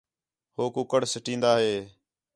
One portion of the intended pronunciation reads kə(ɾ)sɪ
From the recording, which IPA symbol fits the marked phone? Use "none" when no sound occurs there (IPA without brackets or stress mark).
ɽ